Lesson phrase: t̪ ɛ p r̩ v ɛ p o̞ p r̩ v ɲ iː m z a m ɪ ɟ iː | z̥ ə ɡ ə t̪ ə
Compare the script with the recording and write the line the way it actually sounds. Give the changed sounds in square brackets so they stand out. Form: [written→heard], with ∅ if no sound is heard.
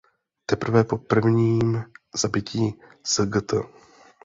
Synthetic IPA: t̪ ɛ p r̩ v ɛ p o̞ p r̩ v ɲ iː m z a [m→b] ɪ [ɟ→c] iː | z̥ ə ɡ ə t̪ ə